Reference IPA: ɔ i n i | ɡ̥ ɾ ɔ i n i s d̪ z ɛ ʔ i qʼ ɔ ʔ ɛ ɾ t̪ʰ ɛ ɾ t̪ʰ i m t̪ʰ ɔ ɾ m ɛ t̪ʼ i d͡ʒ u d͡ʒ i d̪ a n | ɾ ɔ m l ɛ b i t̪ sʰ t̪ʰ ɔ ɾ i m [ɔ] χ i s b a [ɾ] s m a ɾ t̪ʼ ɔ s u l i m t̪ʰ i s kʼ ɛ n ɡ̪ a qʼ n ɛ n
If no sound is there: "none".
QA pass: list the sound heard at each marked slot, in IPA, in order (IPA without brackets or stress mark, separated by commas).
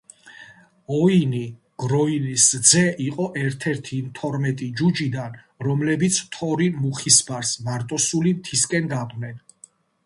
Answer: u, ɾ